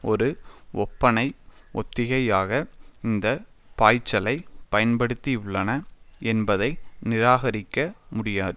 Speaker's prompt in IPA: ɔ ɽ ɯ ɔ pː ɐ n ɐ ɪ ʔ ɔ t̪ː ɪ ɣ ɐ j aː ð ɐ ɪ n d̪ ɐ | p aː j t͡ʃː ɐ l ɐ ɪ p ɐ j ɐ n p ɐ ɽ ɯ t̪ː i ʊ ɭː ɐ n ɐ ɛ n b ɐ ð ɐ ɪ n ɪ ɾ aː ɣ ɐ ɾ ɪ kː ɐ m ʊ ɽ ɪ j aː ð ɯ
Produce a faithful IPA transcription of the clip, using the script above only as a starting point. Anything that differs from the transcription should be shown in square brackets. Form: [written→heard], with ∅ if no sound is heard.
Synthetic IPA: ɔ [ɽ→ɾ] ɯ ɔ pː ɐ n ɐ ɪ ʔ ɔ t̪ː ɪ ɣ ɐ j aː [ð→ɣ] ɐ ɪ n d̪ ɐ | p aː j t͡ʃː ɐ l ɐ ɪ p ɐ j ɐ n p ɐ ɽ ɯ t̪ː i ʊ ɭː ɐ n ɐ ɛ n b ɐ ð ɐ ɪ n ɪ ɾ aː ɣ ɐ ɾ ɪ kː ɐ m ʊ ɽ ɪ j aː ð ɯ